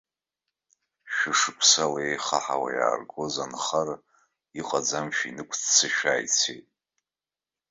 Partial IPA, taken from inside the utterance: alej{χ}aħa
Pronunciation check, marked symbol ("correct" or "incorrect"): correct